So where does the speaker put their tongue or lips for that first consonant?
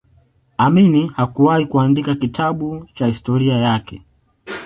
lips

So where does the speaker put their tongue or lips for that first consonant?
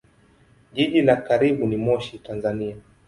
palate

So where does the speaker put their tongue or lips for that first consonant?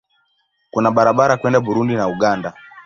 velum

